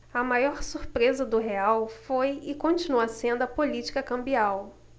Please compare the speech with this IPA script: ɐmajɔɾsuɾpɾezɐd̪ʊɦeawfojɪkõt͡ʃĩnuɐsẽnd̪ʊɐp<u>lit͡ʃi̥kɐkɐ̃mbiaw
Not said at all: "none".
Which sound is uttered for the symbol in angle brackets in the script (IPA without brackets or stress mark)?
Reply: o